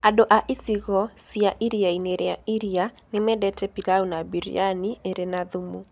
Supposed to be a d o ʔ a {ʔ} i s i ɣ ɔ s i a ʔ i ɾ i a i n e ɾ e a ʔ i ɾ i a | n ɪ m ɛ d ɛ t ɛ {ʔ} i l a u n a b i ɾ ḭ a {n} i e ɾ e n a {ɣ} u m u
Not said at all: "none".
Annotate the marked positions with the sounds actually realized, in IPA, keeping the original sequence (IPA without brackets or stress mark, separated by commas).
ʔ, p, n, ð